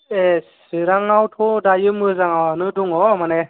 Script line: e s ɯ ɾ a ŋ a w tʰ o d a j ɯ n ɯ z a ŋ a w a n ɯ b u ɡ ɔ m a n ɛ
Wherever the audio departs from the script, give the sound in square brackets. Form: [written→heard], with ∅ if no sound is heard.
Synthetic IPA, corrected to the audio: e s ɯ ɾ a ŋ a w tʰ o d a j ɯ [n→m] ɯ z a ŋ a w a n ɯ [b→d] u [ɡ→ŋ] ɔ m a n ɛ